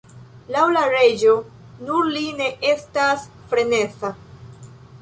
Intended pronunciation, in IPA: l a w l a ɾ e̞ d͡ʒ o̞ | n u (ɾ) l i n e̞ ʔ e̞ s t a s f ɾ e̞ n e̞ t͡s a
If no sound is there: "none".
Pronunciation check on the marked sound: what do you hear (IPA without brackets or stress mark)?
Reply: ɾ